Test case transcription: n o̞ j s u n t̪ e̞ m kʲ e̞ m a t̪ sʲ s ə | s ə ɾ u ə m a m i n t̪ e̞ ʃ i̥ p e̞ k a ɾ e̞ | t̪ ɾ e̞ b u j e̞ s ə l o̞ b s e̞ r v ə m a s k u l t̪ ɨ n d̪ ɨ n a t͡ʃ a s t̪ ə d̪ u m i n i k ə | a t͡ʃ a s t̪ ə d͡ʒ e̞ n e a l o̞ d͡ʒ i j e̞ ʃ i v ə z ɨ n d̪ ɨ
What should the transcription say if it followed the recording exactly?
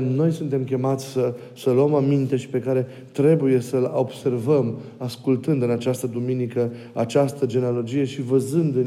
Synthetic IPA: n o̞ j s u n t̪ e̞ m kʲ e̞ m a t̪ sʲ s ə | s ə l u ə m a m i n t̪ e̞ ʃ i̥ p e̞ k a ɾ e̞ | t̪ ɾ e̞ b u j e̞ s ə l o̞ b s e̞ r v ə m a s k u l t̪ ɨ n d̪ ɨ n a t͡ʃ a s t̪ ə d̪ u m i n i k ə | a t͡ʃ a s t̪ ə d͡ʒ e̞ n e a l o̞ d͡ʒ i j e̞ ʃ i v ə z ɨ n d̪ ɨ